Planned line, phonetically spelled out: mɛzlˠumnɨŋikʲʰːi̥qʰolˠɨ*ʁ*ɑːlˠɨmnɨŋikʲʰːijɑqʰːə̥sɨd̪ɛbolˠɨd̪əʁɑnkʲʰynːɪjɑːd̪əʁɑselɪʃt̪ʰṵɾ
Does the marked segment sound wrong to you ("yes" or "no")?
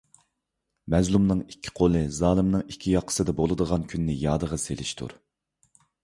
yes